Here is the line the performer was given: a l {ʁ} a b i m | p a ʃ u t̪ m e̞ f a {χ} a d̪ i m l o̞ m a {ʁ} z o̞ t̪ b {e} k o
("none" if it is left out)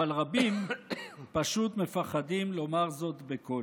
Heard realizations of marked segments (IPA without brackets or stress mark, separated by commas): ʁ, χ, ʁ, e